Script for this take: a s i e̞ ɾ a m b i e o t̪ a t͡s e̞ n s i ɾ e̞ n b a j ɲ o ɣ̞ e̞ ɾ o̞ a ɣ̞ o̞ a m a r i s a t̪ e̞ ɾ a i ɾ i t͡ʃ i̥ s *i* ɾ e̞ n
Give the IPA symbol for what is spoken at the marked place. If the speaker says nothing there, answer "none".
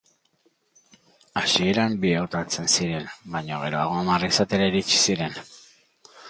i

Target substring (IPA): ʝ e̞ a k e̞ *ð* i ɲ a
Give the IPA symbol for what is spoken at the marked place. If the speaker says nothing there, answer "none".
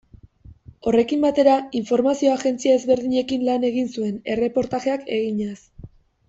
ɣ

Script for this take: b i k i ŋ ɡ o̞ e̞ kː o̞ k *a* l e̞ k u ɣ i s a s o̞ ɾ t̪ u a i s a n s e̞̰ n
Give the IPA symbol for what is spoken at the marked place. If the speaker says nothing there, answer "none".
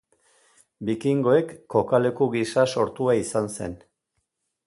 a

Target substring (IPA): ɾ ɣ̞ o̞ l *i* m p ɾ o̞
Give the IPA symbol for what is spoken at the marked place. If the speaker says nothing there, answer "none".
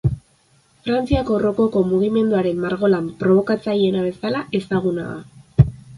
a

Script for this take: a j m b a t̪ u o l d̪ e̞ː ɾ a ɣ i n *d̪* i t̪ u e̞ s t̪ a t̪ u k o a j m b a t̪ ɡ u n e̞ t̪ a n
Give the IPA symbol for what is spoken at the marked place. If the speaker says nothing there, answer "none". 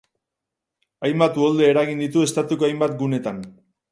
d̪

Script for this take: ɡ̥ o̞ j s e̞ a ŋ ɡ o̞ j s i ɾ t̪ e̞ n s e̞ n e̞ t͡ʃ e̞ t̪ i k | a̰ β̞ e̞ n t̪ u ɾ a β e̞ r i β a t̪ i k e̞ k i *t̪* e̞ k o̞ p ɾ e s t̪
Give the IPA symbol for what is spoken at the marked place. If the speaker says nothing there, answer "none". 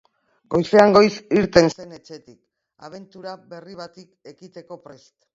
t̪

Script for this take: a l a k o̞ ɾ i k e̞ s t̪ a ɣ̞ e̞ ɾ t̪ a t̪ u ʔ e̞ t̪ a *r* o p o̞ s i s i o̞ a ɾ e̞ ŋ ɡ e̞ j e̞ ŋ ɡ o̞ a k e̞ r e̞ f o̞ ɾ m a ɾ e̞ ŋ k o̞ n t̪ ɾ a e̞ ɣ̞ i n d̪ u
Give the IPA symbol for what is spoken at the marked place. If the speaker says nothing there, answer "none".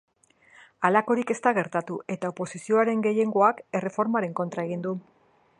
none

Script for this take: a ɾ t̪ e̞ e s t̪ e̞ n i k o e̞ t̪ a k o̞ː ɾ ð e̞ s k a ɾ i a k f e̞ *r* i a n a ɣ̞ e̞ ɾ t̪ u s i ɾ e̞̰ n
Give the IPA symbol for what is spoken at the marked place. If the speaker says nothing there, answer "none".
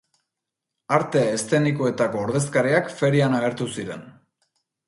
ɾ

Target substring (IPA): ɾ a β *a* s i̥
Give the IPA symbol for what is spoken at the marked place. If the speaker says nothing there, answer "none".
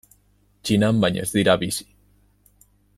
i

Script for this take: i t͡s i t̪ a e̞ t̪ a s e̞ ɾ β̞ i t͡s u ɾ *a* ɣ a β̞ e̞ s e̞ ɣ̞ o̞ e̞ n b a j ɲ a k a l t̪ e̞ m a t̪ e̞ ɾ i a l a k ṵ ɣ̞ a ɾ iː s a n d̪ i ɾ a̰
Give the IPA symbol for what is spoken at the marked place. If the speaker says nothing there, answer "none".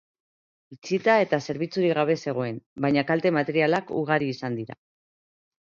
i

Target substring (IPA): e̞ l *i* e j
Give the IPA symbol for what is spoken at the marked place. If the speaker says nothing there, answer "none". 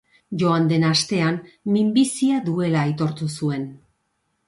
a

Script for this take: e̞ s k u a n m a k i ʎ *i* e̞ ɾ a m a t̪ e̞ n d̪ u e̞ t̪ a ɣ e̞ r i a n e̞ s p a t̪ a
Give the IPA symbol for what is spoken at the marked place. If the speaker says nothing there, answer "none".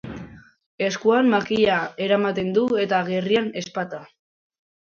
a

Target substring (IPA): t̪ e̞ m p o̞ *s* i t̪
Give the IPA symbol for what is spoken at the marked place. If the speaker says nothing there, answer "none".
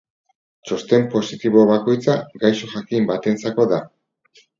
s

